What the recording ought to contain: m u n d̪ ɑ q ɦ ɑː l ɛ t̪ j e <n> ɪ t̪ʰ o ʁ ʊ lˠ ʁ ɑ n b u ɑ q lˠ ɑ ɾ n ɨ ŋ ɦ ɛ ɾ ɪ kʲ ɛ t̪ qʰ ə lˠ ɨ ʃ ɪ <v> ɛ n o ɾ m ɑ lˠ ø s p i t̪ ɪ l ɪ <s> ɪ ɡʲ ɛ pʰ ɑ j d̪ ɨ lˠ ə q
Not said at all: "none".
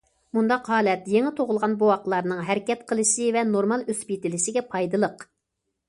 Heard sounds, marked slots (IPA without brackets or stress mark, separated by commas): ŋ, v, ʃ